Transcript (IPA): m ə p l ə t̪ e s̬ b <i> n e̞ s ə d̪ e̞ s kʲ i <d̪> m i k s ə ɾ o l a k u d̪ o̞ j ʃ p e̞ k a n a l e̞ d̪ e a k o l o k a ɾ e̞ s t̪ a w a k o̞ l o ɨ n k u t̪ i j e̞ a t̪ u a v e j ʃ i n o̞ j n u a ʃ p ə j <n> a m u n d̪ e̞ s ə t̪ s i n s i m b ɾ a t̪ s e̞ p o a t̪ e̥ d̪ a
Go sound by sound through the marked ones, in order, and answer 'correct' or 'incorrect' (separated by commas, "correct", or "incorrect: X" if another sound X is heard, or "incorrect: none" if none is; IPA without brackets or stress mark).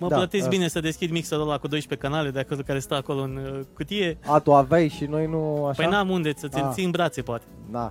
correct, correct, correct